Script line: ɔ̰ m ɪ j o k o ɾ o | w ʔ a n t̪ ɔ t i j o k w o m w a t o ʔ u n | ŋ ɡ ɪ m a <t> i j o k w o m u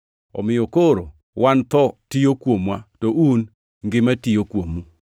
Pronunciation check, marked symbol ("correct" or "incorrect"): correct